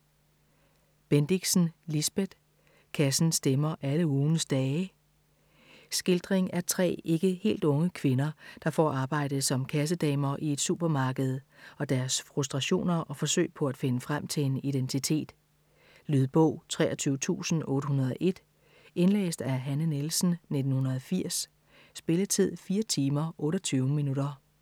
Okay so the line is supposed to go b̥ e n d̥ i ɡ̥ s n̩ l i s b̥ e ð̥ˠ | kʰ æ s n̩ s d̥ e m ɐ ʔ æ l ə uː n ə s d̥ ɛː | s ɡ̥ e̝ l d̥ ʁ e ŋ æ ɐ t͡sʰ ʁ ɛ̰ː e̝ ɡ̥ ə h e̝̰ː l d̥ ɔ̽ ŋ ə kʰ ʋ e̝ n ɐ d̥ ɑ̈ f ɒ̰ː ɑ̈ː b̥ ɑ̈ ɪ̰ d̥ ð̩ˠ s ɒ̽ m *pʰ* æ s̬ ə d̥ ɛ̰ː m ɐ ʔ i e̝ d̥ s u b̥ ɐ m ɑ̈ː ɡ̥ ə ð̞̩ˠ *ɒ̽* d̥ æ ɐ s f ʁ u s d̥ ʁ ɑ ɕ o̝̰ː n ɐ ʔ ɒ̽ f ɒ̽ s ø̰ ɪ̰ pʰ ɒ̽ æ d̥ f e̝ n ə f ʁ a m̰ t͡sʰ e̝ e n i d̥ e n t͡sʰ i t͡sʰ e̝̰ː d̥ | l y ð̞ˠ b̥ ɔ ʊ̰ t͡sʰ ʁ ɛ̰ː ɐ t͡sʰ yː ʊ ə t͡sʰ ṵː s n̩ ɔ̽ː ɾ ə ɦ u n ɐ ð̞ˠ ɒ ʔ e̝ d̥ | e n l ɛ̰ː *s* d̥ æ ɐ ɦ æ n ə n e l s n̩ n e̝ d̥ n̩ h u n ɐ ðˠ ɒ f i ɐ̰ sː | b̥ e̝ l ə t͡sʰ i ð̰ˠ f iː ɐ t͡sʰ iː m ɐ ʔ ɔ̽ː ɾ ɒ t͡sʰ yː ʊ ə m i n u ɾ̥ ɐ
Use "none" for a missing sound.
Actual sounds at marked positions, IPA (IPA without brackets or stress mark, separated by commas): kʰ, ɒ̽, s